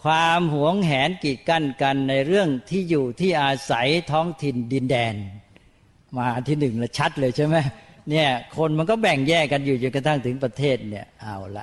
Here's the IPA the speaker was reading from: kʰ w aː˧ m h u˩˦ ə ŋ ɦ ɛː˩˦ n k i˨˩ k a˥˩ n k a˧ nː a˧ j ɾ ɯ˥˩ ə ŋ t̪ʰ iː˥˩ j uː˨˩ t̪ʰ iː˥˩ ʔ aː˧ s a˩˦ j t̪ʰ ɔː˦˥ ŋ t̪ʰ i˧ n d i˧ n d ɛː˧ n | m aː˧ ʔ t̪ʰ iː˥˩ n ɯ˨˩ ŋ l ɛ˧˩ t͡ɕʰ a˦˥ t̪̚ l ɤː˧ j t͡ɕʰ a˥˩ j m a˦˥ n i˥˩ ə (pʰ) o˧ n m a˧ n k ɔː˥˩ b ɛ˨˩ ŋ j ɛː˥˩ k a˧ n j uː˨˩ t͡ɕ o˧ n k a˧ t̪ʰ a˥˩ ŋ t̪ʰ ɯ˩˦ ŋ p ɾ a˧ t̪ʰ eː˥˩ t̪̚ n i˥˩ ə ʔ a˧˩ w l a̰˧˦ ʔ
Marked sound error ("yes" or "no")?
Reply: yes